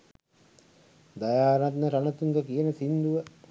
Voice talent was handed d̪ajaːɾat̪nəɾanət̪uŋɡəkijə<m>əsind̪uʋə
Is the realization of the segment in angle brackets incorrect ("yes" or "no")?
yes